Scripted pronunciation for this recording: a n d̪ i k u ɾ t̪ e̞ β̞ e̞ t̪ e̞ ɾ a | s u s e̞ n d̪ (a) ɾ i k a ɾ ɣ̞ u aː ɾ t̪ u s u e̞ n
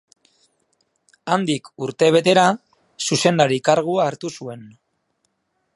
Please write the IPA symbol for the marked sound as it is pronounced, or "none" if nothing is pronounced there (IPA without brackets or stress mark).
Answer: a